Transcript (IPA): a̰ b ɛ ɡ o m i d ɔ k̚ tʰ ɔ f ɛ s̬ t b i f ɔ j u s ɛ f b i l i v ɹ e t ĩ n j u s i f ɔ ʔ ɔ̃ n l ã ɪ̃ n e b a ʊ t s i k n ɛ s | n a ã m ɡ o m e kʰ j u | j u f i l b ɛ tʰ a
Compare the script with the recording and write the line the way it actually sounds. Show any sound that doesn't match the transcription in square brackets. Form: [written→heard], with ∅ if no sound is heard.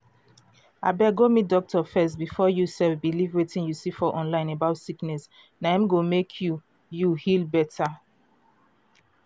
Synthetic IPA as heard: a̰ b ɛ ɡ o m i d ɔ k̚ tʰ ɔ f ɛ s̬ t b i f ɔ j u s ɛ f b i l i v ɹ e t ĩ n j u s i f ɔ ʔ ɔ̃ n l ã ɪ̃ n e b a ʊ t s i k n ɛ s | n a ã m ɡ o m e kʰ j u | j u [f→h] i l b ɛ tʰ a